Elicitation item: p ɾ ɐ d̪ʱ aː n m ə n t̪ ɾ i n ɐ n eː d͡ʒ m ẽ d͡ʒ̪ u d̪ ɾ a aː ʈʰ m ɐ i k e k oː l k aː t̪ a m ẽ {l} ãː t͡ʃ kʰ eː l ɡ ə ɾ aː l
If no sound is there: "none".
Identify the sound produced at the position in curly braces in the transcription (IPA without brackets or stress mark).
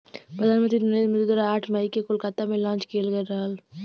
l